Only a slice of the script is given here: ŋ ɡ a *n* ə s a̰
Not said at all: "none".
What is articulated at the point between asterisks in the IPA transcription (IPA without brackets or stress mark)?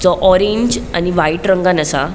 n